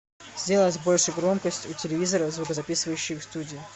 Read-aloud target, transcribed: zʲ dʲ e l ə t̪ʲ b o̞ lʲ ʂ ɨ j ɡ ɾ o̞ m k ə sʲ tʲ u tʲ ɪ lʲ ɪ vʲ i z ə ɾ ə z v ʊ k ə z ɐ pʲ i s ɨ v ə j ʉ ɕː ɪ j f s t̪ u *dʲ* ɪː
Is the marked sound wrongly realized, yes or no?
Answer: no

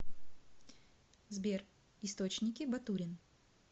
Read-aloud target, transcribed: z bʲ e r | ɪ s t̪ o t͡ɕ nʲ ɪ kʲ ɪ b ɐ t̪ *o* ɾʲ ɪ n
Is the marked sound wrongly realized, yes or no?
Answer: yes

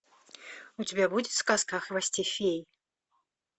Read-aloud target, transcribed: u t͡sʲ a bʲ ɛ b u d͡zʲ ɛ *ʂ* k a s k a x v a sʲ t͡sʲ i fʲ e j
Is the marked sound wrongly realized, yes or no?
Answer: yes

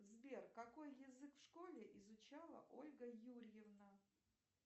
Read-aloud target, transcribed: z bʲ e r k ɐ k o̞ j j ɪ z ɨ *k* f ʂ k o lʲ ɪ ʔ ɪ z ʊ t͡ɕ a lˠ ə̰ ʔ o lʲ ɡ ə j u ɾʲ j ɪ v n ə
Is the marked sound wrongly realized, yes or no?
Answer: no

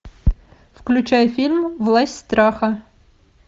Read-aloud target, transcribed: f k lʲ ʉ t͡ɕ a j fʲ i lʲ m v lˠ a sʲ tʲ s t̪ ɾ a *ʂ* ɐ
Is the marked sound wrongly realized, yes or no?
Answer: yes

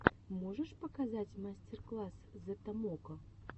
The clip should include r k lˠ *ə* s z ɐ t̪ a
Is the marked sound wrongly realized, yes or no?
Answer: yes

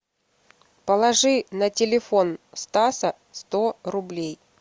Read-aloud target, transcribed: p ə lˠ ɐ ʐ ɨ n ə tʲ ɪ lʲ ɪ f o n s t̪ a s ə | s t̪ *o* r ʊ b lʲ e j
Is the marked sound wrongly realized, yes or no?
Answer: no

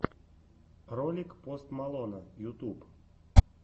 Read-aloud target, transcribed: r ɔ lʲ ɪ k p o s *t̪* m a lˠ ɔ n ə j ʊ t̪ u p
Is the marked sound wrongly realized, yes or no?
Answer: no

